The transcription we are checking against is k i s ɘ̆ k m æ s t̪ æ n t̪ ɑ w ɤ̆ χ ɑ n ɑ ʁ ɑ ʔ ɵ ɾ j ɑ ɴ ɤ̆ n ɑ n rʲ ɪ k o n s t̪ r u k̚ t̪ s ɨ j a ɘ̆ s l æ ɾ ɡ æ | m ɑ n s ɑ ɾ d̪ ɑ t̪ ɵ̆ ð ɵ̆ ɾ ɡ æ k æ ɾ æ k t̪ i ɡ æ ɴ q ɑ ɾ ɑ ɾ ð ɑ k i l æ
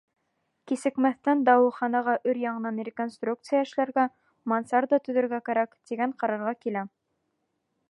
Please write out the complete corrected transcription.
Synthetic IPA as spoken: k i s ɘ̆ k m æ θ t̪ æ n d̪ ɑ w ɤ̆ χ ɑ n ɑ ʁ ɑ ʔ ɵ ɾ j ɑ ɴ ɤ̆ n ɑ n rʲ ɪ k o n s t̪ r u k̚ t̪ s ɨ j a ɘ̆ ʃ l æ ɾ ɡ æ | m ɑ n s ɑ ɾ d̪ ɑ t̪ ɵ̆ ð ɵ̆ ɾ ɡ æ k æ ɾ æ k t̪ i ɡ æ ɴ q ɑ ɾ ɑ ɾ ʁ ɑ k i l æ